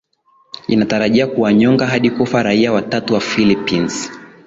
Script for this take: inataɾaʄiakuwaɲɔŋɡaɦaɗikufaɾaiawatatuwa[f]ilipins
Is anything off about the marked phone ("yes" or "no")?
no